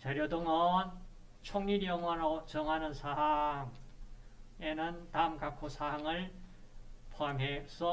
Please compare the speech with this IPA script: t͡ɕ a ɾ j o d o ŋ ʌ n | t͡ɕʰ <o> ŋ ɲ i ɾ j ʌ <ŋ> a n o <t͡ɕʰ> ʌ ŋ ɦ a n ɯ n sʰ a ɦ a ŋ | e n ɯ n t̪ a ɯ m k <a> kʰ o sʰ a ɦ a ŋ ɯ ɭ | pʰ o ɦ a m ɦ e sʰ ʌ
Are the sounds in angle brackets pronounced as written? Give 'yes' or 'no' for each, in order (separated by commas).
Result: yes, yes, no, yes